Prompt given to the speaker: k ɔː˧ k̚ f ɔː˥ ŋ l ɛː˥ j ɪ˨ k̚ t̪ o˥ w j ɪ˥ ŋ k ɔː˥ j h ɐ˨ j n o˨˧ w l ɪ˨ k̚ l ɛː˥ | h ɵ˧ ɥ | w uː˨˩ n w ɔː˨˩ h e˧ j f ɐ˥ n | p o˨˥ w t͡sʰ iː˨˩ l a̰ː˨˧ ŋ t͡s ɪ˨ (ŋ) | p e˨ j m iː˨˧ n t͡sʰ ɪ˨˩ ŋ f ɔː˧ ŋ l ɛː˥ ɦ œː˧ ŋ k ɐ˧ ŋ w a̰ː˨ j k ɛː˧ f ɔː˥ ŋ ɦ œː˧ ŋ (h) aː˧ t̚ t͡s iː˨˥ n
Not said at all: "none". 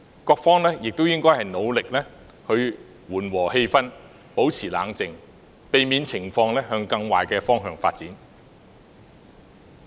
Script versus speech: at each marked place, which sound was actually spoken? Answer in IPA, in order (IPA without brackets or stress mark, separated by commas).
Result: ŋ, f